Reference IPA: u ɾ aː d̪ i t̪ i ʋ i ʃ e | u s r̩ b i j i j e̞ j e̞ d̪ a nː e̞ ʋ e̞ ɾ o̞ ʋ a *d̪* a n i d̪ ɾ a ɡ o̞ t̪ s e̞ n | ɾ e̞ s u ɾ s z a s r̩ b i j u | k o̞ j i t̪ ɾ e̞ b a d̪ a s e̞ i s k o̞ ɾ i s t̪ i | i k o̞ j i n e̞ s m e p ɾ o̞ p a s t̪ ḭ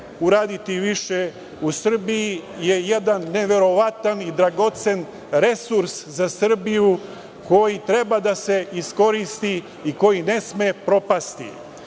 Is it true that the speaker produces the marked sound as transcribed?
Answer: no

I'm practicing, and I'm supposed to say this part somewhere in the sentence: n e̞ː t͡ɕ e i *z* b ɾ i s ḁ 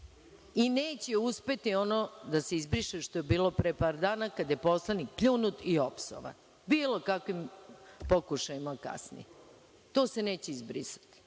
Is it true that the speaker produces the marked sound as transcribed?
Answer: yes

